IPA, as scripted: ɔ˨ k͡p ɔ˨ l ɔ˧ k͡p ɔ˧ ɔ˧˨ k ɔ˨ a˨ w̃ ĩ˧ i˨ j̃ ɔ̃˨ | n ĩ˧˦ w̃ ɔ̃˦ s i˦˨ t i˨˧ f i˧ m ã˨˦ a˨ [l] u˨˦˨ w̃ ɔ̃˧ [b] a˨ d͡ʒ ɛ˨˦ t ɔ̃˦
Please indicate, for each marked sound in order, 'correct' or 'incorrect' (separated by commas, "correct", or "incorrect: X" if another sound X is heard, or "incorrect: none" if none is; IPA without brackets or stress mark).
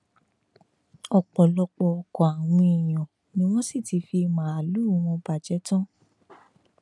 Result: correct, correct